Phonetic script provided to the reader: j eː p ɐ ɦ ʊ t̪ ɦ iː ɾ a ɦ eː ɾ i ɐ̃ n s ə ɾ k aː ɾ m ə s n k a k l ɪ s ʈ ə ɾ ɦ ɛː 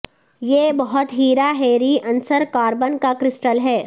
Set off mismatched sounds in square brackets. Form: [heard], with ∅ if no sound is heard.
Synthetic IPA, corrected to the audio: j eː [b] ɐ ɦ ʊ t̪ ɦ iː ɾ a ɦ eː ɾ i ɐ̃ n s ə ɾ k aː ɾ [b] ə [∅] n k a k [ɾ] ɪ s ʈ ə [l] ɦ ɛː